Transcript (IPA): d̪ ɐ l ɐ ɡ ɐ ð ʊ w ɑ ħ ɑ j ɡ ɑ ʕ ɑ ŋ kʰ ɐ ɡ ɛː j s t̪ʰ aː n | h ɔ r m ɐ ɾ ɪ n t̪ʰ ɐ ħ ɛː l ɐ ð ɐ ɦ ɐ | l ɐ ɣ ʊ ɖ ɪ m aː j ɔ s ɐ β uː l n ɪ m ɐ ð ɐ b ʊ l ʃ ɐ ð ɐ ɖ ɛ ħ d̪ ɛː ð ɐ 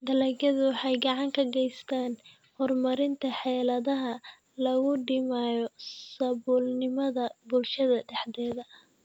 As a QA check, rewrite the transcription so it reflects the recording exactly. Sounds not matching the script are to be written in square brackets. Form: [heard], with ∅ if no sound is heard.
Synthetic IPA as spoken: d̪ ɐ l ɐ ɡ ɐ ð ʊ w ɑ ħ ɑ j ɡ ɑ ʕ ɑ ŋ kʰ ɐ ɡ [ɛ] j s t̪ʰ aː n | h ɔ r m ɐ ɾ ɪ n t̪ʰ ɐ ħ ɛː l ɐ ð ɐ ɦ ɐ | l ɐ ɣ ʊ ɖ ɪ m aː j ɔ s ɐ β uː l n ɪ m ɐ ð ɐ b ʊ l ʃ ɐ ð ɐ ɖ ɛ ħ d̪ ɛː ð ɐ